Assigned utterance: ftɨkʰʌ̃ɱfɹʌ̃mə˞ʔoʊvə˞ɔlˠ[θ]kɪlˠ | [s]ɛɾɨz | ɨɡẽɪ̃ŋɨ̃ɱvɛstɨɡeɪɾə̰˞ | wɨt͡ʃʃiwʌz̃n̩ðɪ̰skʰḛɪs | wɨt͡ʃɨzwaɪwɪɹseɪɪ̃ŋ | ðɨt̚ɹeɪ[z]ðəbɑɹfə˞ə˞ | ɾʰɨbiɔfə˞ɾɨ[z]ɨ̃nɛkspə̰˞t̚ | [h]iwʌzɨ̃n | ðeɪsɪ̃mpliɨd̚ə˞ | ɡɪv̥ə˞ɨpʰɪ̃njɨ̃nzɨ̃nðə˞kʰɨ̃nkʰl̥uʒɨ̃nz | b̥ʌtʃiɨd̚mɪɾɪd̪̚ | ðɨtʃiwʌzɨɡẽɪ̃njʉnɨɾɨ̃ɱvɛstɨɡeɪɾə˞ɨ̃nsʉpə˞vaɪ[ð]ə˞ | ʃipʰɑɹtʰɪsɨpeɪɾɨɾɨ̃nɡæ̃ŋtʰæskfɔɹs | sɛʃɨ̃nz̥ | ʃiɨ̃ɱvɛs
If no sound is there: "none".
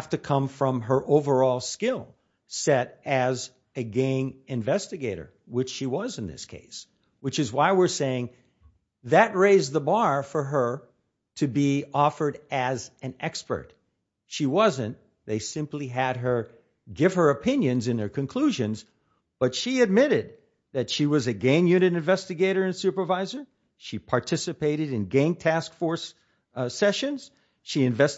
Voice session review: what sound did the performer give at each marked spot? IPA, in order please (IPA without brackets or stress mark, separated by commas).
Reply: s, s, z, z, ʃ, z